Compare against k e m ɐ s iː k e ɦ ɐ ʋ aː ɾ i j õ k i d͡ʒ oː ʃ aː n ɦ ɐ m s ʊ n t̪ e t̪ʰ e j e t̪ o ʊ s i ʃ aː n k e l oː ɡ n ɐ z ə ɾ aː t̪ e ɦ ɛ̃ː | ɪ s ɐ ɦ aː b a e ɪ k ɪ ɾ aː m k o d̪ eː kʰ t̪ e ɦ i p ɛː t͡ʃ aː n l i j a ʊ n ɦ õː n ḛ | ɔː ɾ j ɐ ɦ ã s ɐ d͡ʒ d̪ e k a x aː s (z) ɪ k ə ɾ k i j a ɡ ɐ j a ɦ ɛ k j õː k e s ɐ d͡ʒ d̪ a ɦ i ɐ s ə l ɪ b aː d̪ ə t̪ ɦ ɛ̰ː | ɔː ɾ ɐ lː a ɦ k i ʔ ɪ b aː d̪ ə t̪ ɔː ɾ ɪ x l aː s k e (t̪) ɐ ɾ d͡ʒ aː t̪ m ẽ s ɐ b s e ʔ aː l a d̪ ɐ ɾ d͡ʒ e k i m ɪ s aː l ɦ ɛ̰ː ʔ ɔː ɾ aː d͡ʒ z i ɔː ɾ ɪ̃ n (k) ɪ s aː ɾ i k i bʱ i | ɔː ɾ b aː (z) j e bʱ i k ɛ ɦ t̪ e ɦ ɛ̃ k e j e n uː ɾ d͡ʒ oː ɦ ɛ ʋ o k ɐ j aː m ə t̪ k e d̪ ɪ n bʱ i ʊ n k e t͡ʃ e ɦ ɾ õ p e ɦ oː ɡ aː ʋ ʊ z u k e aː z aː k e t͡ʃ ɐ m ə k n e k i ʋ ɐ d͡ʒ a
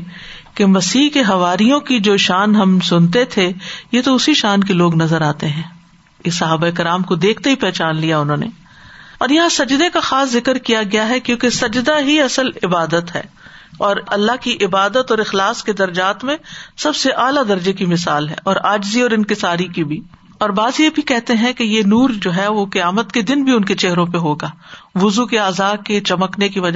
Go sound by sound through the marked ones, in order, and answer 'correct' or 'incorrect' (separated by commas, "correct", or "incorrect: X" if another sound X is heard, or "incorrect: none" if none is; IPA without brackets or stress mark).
correct, incorrect: d̪, correct, correct